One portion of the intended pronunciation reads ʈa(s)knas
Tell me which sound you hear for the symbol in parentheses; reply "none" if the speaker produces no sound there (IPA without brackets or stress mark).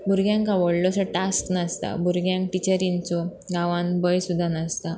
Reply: s